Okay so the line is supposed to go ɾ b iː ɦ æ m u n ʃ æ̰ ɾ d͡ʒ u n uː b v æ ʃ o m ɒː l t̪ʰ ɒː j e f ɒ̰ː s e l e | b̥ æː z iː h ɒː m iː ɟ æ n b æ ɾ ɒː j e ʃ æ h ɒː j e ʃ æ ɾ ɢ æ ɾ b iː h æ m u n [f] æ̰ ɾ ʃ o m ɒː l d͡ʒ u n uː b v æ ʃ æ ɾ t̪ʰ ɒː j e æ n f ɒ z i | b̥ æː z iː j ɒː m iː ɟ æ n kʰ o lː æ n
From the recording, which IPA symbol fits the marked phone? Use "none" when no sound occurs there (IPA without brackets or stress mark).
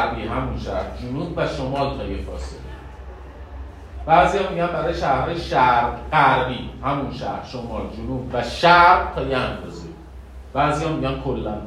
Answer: ʃ